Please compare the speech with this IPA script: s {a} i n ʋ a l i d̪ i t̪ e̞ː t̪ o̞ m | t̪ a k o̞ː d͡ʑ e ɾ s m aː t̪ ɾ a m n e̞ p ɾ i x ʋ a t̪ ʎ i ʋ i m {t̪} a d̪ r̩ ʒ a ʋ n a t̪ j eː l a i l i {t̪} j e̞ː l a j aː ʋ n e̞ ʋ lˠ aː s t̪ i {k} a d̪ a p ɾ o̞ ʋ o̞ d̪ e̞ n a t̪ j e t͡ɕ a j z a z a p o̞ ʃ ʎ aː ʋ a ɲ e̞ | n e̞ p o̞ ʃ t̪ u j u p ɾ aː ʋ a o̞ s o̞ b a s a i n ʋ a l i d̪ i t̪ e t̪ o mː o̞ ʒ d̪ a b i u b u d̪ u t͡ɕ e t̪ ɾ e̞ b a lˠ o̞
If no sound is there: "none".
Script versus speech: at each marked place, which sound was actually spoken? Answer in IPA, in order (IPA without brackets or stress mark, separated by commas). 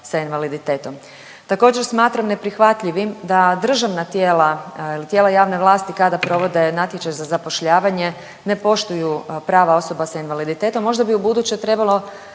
a, d̪, t̪, k